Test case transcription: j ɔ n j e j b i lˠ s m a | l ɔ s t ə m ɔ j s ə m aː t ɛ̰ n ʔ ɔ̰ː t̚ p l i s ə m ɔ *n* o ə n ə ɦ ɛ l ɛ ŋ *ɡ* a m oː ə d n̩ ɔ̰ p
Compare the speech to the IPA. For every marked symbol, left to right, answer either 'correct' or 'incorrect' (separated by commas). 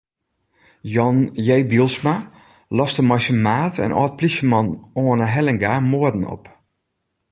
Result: correct, correct